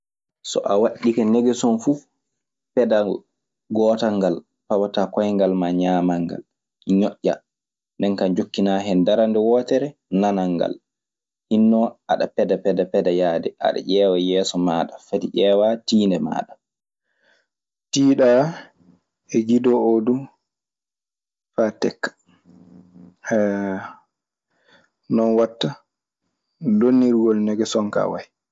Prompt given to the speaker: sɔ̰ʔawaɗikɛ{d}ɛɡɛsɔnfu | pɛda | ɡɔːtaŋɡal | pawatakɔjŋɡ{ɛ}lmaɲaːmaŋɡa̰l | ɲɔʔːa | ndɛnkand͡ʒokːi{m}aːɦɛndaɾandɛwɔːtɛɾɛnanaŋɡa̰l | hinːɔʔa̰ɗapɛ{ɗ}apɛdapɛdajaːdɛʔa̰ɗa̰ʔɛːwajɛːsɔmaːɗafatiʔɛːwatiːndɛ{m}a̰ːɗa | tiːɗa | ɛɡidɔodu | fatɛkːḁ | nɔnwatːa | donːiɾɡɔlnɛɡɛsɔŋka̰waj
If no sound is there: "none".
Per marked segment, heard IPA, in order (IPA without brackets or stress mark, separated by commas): n, a, n, d, m